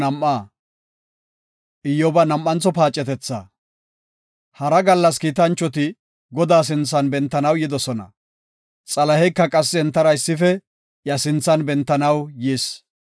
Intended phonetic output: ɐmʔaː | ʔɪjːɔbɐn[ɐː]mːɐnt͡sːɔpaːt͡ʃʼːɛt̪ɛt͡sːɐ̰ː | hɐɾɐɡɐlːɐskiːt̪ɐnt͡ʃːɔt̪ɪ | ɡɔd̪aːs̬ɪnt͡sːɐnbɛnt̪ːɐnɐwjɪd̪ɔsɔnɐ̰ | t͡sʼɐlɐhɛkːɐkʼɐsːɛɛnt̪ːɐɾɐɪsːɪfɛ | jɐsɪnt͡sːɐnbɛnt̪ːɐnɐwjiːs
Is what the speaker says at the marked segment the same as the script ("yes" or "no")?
no